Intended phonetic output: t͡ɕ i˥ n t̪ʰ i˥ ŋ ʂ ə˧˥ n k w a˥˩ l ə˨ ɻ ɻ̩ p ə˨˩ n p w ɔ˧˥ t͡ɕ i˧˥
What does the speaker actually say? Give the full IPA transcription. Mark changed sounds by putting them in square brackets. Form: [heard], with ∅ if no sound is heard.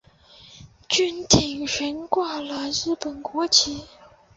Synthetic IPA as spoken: t͡ɕ [y˥] n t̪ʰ [i˨˩] ŋ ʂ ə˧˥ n k w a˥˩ l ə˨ ɻ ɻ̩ p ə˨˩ n [k] w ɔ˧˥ [t͡ɕʰ] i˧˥